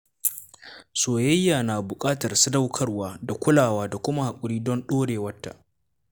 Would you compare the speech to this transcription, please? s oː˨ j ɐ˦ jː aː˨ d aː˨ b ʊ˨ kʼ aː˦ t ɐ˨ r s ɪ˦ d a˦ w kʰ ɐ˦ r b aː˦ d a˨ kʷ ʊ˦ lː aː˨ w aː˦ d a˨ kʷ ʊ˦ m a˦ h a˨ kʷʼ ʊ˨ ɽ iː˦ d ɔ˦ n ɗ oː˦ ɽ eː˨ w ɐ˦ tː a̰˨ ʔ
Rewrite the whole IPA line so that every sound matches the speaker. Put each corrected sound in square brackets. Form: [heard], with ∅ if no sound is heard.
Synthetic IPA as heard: s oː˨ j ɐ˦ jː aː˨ [n] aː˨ b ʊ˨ kʼ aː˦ t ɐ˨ r s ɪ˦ d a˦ w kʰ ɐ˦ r [w] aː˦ d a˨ kʷ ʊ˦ [l] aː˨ w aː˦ d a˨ kʷ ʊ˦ m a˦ h a˨ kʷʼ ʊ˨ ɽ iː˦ d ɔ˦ n ɗ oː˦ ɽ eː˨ w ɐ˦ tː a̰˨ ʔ